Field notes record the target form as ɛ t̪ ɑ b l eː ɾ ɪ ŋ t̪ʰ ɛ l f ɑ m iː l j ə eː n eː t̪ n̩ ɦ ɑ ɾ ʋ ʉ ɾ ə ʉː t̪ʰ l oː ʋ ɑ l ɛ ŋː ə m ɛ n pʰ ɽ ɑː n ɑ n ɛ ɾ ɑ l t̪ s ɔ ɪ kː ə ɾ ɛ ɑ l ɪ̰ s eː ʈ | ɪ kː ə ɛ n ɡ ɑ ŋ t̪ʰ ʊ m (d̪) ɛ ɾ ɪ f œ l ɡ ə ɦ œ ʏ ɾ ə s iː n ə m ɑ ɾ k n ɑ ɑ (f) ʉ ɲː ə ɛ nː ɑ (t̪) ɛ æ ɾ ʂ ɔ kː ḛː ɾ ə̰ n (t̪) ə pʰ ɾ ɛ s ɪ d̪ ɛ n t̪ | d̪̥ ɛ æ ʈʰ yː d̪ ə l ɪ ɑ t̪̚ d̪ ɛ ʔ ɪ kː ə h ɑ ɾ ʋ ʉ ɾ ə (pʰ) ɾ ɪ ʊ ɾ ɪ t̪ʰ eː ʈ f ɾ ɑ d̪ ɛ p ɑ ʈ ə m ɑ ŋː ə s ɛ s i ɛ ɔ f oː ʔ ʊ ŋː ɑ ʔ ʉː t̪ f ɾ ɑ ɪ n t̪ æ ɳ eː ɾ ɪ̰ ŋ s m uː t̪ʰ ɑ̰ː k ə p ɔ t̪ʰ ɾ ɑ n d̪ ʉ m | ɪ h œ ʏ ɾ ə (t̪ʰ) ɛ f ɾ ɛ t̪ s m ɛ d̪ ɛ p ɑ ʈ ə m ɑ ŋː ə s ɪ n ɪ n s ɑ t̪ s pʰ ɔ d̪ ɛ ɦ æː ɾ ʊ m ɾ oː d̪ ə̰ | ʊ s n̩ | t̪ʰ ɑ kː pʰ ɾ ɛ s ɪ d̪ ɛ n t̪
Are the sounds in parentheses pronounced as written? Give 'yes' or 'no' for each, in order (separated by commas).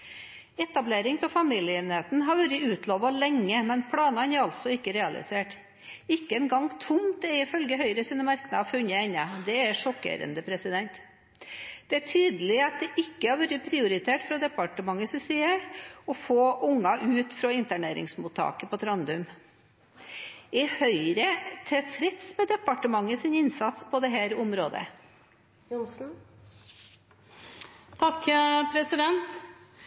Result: no, yes, no, no, yes, yes